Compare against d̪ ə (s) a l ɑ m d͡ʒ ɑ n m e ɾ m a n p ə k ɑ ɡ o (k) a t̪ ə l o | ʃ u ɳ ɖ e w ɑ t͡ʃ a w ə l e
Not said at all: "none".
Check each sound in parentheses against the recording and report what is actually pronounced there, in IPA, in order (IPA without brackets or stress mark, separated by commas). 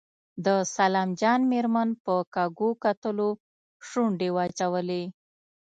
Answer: s, k